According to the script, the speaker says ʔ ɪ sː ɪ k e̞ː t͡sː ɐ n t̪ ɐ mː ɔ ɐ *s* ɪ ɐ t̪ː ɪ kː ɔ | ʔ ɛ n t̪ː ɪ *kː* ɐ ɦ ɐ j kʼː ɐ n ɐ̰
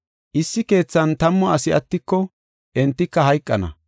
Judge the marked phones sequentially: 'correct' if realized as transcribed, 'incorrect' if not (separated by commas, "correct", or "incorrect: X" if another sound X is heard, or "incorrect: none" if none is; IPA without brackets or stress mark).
correct, correct